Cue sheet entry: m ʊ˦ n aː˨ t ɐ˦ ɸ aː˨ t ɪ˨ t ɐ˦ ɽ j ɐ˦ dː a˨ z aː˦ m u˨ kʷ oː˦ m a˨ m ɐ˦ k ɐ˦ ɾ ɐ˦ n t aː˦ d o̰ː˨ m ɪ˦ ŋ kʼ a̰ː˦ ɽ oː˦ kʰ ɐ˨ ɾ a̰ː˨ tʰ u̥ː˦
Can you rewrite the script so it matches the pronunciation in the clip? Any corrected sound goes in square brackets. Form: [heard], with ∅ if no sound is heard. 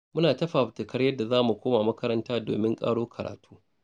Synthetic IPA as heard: m ʊ˦ n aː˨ t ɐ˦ ɸ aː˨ t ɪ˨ [k] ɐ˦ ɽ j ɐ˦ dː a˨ z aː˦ m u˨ kʷ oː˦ m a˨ m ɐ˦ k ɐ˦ ɾ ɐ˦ n t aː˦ d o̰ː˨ m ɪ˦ ŋ kʼ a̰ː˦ ɽ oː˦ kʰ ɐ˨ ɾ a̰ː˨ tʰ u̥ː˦